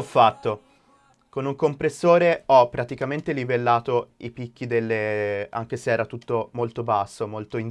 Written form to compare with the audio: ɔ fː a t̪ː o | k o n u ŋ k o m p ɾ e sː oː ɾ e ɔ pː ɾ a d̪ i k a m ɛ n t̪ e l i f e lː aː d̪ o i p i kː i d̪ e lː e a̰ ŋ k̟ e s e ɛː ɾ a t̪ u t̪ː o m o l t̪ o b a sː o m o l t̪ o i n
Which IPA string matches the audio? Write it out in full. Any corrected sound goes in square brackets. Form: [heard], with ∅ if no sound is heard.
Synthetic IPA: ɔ fː a t̪ː o | k o n u ŋ k o m p ɾ e sː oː ɾ e ɔ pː ɾ a [t̪] i k a m [e] n t̪ e l i [v] e lː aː [t̪] o i p i kː i d̪ e lː e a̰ ŋ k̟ e s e ɛː ɾ a t̪ u t̪ː o m o l t̪ o b a sː o m o l t̪ o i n